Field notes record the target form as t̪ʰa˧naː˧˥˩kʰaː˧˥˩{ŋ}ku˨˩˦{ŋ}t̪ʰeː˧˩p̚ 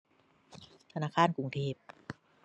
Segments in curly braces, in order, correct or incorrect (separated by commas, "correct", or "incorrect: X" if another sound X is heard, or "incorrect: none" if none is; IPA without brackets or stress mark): incorrect: n, correct